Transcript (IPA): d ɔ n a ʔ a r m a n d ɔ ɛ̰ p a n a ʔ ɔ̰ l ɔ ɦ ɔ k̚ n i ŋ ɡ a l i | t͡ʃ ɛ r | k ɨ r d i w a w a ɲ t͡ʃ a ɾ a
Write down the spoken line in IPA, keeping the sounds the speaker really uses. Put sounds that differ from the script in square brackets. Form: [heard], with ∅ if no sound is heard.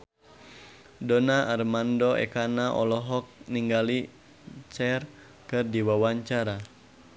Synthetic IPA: d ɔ n a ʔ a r m a n d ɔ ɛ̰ [k] a n a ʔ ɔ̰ l ɔ ɦ ɔ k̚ n i ŋ ɡ a l i | t͡ʃ ɛ r | k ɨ r d i w a w a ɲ t͡ʃ a ɾ a